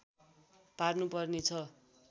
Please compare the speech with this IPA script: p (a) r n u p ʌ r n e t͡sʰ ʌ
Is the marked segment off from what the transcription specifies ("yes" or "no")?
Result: no